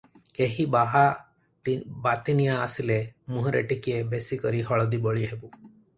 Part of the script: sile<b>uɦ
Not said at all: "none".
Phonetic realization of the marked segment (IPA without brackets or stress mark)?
m